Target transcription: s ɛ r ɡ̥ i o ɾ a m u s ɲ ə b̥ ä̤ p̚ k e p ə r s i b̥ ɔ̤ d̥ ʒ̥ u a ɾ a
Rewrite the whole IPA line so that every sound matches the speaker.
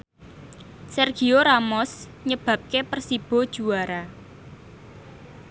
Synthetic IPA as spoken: s ɛ r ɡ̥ i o ɾ a m ɔ s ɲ ə b̥ ä̤ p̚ k e p ə r s i b̥ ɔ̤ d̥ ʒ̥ u a ɾ a